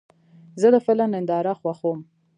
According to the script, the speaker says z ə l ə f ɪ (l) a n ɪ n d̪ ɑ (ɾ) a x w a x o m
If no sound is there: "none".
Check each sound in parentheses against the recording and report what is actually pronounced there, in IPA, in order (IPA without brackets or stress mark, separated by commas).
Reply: l, ɾ